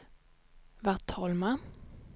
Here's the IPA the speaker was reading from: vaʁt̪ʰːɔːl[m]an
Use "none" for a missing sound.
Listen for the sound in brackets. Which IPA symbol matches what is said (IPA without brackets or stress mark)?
m